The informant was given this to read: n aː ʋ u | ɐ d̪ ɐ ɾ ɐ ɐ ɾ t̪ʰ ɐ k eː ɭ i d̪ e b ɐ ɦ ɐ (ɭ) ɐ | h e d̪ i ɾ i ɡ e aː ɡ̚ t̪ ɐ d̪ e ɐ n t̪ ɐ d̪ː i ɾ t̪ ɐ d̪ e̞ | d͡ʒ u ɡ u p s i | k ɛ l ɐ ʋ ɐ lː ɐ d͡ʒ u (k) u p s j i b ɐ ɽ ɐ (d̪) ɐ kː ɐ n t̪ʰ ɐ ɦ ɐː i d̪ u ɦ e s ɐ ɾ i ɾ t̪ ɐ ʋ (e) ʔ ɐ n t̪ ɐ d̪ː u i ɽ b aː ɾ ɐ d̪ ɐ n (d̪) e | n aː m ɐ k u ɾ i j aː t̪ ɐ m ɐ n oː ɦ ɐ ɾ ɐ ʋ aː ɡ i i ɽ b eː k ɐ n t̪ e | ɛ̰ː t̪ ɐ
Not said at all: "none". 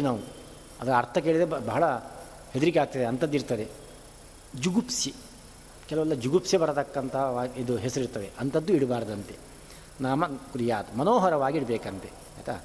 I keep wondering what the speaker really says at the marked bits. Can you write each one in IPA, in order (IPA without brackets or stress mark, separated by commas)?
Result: ɭ, ɡ, t̪, e, t̪